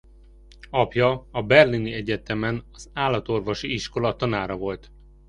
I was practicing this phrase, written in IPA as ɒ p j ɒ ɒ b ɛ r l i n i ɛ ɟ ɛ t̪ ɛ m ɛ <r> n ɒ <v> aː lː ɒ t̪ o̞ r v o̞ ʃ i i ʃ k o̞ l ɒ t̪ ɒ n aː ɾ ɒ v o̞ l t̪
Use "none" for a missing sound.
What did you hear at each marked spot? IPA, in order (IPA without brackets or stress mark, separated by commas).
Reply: none, z